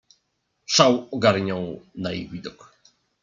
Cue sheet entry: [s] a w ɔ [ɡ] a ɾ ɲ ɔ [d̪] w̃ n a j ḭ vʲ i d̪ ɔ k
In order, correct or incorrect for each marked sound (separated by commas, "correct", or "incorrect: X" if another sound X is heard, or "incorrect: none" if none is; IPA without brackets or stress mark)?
incorrect: ʂ, correct, incorrect: none